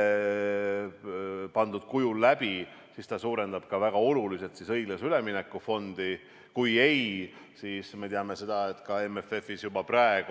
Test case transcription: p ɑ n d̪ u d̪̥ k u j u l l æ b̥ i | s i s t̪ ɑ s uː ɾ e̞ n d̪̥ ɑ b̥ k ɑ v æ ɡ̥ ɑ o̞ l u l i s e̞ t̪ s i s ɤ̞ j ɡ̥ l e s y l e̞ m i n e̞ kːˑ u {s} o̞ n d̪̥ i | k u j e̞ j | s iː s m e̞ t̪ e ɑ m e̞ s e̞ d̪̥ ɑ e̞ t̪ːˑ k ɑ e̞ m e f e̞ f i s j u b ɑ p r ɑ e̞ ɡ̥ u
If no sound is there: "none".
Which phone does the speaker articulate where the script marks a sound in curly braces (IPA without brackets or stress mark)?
f